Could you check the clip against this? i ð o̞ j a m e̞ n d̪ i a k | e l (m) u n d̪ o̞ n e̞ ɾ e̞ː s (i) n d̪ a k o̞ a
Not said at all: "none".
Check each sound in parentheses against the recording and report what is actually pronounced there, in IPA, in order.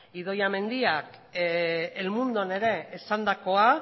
m, a

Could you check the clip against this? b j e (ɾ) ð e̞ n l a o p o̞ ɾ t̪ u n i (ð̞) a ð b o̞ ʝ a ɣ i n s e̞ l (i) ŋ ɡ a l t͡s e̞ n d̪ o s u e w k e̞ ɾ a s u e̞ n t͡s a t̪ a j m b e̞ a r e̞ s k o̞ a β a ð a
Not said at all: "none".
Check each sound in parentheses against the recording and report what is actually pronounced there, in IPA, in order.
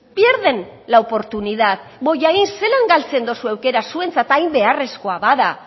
ɾ, ð̞, a

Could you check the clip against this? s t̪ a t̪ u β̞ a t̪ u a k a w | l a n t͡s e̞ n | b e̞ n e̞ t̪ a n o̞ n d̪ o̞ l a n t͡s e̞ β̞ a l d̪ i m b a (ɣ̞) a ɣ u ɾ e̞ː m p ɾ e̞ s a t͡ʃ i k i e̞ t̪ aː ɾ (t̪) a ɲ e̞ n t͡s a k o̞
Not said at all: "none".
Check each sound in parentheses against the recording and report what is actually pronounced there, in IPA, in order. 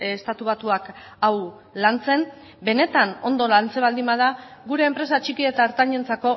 ð̞, t̪

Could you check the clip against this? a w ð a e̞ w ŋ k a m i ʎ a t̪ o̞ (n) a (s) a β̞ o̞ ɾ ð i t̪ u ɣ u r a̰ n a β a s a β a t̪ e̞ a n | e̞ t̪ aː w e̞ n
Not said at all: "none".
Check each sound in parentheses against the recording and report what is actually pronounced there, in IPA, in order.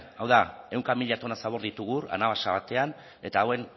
n, s

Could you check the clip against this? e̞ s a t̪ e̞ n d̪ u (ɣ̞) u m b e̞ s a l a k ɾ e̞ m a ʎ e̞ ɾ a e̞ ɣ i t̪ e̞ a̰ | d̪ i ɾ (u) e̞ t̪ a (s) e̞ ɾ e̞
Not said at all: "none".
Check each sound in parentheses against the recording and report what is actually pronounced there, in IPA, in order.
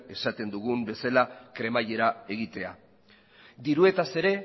ɣ̞, u, s

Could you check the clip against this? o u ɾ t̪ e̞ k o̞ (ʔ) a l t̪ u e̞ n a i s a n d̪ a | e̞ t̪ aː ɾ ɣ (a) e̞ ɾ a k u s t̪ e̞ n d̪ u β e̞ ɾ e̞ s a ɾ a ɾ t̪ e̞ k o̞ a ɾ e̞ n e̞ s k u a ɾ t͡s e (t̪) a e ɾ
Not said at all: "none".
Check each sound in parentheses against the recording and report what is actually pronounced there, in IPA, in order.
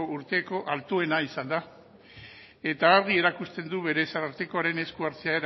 ʔ, i, none

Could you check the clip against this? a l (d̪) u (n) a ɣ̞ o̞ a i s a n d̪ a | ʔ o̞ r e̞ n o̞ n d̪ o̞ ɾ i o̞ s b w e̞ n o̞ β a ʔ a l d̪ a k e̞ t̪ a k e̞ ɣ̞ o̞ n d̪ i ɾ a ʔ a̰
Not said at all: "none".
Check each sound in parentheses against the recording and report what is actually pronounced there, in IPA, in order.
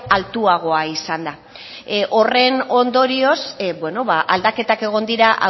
t̪, none

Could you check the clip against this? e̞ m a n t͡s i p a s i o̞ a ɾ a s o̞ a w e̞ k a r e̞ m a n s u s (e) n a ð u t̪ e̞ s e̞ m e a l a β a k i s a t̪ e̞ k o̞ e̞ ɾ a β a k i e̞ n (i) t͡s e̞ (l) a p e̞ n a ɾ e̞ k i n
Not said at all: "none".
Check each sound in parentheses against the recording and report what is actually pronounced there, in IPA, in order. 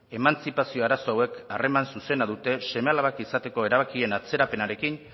e, a, ɾ

